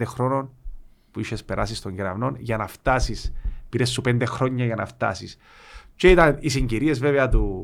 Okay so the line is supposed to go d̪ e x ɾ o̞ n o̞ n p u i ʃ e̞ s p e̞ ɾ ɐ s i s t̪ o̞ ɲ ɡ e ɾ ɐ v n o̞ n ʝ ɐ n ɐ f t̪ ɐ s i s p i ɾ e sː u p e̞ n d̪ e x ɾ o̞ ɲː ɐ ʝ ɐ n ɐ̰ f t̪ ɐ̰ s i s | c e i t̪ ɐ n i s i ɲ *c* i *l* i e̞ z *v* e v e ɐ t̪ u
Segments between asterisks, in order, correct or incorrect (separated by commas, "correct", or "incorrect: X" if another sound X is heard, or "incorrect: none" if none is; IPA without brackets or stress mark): incorrect: ɟ, incorrect: ɾ, correct